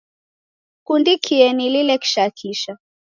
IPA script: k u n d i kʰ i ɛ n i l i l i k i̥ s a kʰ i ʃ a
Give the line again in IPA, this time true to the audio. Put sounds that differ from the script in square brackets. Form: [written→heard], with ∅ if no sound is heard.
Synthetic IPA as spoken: k u n d i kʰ i ɛ n i l i l [i→ɛ] k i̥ [s→ʃ] a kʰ i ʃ a